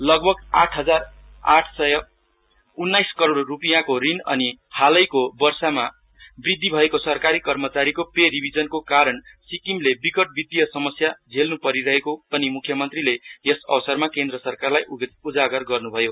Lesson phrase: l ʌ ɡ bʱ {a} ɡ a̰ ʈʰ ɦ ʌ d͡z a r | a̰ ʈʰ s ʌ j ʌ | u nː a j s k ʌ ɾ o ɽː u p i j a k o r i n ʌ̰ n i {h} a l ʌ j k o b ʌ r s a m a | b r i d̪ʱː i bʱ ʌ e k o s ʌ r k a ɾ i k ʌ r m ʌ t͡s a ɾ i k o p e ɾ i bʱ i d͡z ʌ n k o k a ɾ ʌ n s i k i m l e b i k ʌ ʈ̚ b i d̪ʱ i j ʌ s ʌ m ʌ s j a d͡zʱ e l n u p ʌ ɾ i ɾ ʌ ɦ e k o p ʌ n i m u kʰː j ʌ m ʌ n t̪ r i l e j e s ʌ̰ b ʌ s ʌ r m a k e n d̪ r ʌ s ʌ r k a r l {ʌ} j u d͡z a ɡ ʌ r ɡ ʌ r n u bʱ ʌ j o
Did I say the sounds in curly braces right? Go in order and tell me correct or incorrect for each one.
incorrect, correct, incorrect

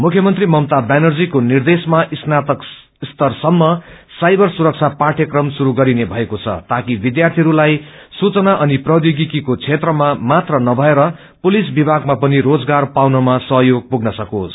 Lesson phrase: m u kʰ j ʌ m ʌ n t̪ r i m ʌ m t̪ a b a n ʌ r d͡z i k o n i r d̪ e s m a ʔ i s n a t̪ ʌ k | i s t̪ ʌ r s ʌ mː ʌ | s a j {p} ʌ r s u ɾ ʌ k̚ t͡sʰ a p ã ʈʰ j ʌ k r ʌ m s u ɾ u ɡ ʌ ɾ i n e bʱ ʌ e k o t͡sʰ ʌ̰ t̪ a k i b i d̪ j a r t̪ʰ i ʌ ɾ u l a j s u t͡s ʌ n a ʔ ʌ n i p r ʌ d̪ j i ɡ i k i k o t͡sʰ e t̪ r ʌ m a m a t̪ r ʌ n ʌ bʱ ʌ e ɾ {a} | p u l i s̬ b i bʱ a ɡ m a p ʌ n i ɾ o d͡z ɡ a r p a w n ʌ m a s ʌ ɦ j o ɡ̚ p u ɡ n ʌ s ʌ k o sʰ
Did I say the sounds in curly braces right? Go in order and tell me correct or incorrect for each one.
incorrect, incorrect

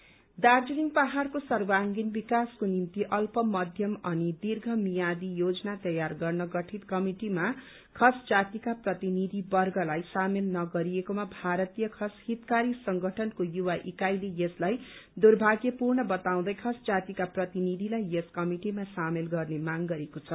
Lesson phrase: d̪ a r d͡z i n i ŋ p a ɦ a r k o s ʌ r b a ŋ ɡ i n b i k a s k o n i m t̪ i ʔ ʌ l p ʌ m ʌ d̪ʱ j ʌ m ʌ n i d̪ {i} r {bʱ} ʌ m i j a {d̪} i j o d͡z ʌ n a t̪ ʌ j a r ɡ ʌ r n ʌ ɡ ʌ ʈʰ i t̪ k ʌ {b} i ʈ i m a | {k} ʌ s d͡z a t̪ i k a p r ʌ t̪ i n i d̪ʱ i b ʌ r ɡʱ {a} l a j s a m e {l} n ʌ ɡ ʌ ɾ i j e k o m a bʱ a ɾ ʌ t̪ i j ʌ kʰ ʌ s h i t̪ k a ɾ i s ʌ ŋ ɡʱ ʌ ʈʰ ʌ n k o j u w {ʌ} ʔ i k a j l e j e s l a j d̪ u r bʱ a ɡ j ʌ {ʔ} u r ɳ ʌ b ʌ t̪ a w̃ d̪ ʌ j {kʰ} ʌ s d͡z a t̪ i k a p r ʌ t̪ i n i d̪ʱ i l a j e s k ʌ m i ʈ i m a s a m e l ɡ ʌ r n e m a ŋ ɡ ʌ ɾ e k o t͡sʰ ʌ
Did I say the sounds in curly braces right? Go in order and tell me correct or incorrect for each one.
correct, incorrect, correct, incorrect, incorrect, incorrect, correct, incorrect, incorrect, correct

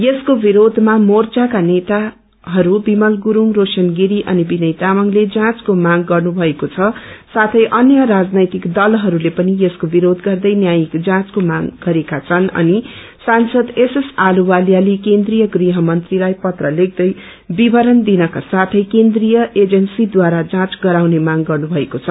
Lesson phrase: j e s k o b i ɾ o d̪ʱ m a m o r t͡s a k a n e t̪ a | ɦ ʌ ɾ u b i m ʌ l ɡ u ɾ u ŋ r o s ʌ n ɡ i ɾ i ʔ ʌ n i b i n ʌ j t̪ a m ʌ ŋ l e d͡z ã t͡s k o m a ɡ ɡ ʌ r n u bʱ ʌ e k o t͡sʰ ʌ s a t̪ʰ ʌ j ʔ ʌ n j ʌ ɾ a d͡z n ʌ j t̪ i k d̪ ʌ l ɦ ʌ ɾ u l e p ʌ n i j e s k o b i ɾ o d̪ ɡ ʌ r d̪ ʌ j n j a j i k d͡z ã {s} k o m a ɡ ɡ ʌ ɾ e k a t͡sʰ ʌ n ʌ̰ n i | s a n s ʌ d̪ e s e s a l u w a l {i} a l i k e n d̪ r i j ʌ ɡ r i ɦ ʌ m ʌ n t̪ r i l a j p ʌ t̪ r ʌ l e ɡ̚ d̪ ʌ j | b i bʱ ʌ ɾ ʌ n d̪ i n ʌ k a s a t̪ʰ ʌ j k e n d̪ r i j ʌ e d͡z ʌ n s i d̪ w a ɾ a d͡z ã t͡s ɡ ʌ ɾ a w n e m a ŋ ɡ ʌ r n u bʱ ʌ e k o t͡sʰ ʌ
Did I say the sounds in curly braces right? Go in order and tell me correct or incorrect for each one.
incorrect, incorrect

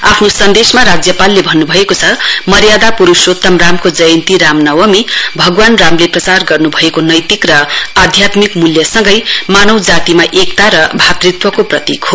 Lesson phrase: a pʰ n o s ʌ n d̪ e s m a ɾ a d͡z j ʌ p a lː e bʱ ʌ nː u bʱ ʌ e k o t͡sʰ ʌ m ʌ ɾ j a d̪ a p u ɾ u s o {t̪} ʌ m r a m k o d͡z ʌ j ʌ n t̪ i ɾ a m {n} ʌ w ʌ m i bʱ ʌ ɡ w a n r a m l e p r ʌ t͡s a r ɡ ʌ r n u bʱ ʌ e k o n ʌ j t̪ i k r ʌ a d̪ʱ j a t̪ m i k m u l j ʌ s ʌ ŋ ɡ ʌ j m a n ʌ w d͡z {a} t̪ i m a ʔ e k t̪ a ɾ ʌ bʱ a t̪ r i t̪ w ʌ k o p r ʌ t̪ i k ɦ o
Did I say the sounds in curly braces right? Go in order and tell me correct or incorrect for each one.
correct, correct, correct

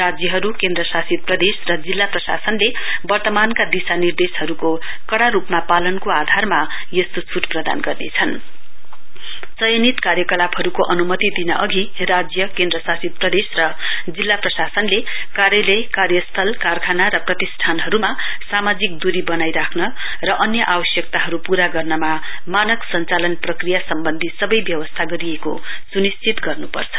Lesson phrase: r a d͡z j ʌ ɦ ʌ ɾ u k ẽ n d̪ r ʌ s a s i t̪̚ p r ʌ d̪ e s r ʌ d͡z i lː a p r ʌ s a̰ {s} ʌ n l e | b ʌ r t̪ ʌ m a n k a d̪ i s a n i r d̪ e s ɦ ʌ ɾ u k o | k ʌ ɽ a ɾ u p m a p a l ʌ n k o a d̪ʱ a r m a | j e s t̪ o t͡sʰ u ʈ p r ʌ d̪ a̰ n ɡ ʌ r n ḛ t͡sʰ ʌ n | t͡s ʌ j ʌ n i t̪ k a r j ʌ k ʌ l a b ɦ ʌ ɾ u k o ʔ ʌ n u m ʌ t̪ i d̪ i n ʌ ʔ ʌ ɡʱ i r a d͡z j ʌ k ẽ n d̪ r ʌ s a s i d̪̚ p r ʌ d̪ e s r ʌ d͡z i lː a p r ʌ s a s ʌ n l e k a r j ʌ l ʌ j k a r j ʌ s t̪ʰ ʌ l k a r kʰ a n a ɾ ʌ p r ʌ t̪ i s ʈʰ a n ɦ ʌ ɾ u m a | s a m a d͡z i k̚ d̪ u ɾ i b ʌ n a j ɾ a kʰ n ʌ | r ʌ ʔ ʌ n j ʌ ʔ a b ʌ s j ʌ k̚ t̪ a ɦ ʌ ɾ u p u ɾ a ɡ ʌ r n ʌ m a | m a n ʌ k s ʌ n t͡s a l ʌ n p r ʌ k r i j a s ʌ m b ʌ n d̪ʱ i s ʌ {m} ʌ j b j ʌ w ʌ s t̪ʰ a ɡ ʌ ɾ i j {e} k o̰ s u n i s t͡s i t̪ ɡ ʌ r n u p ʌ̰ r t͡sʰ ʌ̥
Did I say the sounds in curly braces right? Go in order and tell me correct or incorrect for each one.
correct, incorrect, correct

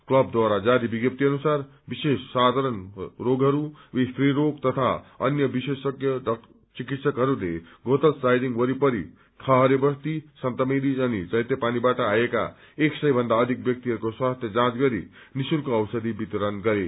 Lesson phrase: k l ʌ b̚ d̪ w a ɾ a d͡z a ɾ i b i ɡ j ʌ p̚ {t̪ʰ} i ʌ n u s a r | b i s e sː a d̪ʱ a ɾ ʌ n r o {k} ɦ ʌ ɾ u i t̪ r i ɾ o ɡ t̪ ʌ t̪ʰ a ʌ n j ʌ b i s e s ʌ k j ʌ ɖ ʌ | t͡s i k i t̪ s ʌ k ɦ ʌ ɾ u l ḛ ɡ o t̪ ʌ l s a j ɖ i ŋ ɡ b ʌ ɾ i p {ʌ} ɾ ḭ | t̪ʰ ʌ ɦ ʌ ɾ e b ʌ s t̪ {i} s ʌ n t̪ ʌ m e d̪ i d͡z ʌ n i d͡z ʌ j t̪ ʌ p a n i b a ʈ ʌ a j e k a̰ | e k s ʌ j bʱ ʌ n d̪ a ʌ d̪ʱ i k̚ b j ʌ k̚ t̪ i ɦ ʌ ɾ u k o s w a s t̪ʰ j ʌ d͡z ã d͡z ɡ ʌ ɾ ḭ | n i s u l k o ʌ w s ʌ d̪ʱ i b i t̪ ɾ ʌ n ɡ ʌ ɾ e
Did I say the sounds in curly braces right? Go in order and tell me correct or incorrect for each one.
incorrect, incorrect, correct, correct

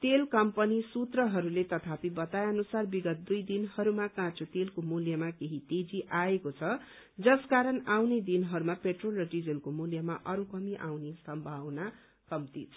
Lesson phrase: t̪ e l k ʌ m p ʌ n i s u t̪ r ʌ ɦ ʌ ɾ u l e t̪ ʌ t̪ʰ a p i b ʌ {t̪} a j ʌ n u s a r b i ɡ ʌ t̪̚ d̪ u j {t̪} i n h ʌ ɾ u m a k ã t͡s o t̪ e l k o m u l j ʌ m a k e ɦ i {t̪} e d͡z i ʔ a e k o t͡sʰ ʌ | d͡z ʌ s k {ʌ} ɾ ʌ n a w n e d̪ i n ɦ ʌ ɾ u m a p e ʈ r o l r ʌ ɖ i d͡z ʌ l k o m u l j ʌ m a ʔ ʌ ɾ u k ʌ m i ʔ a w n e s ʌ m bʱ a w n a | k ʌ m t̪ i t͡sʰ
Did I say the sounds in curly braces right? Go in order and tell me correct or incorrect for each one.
correct, incorrect, correct, incorrect

